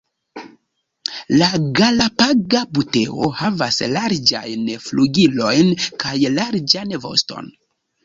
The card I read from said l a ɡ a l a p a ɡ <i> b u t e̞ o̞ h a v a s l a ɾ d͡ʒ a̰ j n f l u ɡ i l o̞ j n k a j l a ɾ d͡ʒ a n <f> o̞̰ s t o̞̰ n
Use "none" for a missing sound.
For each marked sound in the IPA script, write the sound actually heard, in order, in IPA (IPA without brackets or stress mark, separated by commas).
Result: a, v